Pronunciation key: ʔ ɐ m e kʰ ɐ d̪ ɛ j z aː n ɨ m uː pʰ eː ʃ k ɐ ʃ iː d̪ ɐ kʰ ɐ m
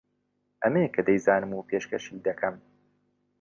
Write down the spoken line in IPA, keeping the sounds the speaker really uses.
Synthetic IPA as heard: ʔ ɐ m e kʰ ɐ d̪ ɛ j z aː n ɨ m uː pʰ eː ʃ k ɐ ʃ iː d̪ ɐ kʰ ɐ m